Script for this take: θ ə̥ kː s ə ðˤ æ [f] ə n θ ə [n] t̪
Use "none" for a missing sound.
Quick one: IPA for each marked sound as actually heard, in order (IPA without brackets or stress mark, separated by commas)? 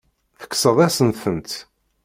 s, n